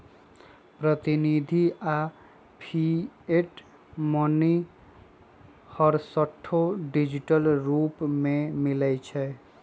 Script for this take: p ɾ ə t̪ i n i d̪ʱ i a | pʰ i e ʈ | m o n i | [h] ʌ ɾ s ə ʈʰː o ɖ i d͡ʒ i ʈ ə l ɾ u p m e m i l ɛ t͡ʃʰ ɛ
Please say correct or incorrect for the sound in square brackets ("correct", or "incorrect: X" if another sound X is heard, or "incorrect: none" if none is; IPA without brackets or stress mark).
correct